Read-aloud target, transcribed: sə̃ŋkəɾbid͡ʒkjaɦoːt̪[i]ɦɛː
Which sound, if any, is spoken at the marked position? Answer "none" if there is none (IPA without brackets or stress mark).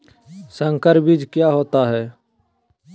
a